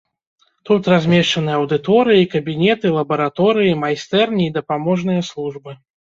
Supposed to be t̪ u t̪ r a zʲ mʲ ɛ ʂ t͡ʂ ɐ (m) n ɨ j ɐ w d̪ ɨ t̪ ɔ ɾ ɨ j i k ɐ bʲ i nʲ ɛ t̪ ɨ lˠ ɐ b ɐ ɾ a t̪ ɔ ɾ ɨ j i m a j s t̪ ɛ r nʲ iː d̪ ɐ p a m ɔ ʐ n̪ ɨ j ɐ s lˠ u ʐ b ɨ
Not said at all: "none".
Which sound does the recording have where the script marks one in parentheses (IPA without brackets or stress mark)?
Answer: none